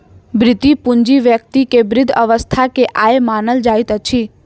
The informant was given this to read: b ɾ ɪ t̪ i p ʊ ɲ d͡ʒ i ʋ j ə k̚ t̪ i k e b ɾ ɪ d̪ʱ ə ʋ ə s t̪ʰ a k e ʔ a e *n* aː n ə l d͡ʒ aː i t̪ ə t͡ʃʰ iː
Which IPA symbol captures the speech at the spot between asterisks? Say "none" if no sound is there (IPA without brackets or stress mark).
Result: m